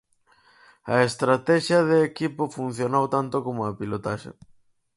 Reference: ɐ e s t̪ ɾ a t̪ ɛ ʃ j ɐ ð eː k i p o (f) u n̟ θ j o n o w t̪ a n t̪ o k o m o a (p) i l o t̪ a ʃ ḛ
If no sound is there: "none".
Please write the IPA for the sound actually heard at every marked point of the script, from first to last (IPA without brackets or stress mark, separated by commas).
f, p